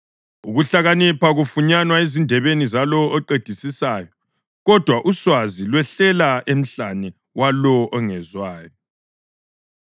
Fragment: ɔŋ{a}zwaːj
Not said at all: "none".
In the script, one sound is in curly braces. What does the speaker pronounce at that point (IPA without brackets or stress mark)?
ɛ